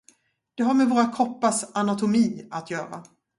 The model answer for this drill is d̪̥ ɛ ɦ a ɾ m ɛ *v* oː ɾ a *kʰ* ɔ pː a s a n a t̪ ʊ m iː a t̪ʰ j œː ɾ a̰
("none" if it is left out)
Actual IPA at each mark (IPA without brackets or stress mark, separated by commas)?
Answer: v, kʰ